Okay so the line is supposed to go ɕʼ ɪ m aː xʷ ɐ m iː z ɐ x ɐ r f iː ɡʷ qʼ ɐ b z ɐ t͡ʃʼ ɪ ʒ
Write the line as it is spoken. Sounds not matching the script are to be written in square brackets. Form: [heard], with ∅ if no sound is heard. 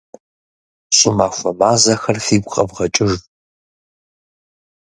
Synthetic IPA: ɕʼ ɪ m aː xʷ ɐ m [aː] z ɐ x ɐ r f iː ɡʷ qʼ ɐ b [ʁ] ɐ t͡ʃʼ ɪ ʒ